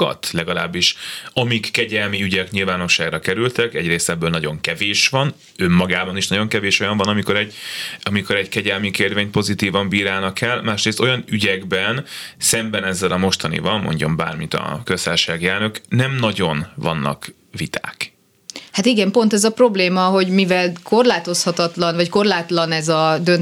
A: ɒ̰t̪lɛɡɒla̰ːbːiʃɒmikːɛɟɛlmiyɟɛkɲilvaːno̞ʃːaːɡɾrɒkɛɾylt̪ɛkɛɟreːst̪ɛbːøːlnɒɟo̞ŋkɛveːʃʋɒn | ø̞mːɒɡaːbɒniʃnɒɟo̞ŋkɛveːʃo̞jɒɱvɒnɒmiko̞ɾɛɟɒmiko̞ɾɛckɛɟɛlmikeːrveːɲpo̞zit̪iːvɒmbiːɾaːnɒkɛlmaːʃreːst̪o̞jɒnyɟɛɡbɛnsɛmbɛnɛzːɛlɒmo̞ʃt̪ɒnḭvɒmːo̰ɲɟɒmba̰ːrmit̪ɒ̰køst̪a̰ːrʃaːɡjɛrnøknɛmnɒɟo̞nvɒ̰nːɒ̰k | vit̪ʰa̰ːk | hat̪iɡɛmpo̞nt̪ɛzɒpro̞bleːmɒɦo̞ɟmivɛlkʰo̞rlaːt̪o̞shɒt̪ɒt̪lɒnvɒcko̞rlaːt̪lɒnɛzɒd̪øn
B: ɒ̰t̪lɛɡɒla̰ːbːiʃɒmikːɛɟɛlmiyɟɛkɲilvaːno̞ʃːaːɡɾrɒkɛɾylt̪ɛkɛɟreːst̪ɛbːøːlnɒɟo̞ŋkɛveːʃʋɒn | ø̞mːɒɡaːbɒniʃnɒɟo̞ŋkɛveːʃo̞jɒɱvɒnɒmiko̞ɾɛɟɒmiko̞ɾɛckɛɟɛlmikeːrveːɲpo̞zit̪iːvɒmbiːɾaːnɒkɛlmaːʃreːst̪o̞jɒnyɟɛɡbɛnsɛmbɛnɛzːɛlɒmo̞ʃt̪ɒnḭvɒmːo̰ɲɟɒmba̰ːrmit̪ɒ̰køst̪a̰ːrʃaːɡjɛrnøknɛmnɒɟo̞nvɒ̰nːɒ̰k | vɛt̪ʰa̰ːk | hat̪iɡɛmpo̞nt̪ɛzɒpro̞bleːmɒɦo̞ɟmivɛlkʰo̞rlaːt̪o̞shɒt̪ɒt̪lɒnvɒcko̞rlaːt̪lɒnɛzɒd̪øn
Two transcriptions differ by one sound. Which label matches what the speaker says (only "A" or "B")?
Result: A